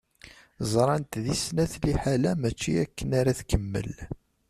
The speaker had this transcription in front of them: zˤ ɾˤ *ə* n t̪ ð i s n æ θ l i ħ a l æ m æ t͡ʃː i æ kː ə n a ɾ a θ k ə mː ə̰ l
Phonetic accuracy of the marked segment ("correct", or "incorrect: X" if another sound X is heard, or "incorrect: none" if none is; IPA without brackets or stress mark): incorrect: ɑ